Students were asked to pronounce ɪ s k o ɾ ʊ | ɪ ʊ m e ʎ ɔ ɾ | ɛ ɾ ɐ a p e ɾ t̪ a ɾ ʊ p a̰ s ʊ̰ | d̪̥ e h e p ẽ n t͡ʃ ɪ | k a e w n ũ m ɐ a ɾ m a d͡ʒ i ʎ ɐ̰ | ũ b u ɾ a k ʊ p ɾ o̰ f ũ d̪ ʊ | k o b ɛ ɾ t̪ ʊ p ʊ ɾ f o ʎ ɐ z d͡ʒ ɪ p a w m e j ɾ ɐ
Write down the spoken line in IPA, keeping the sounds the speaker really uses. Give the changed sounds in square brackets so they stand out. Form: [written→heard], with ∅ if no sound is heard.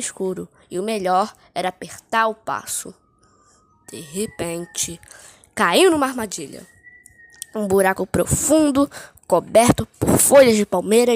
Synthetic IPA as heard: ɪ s k [o→u] ɾ ʊ | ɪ ʊ m e ʎ ɔ ɾ | ɛ ɾ ɐ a p e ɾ t̪ a ɾ ʊ p a̰ s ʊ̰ | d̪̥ e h e p ẽ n t͡ʃ ɪ | k a [e→i] w n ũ m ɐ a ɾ m a d͡ʒ i ʎ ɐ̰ | ũ b u ɾ a k ʊ p ɾ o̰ f ũ d̪ ʊ | k o b ɛ ɾ t̪ ʊ p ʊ ɾ f o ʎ ɐ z d͡ʒ ɪ p a w m e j ɾ ɐ